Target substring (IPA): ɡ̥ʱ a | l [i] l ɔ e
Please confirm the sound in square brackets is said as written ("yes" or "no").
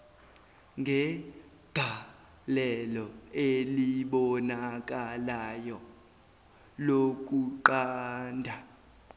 no